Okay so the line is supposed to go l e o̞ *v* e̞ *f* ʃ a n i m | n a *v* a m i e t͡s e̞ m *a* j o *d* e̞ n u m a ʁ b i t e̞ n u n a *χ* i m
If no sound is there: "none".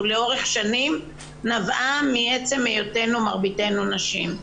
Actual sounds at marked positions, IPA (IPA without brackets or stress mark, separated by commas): ʁ, χ, v, e, t, ʃ